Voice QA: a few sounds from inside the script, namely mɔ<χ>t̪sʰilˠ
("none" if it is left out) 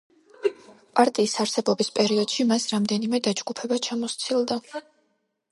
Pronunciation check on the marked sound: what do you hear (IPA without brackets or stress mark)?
s